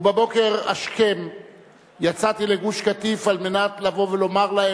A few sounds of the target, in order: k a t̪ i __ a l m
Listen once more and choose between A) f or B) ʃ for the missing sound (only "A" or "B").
A